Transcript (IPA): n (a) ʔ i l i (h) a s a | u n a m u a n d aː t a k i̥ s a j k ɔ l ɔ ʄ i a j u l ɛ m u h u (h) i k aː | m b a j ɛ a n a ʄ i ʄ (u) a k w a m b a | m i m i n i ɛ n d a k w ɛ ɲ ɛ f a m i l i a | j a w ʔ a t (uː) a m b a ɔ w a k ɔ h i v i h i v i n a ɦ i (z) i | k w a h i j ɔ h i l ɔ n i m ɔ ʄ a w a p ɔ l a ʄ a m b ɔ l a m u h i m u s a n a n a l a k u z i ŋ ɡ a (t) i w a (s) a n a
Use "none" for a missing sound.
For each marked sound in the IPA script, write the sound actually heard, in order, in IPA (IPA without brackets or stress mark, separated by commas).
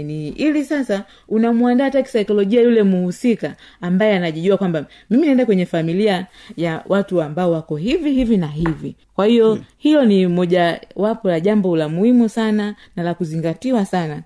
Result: i, s, s, u, u, v, t, s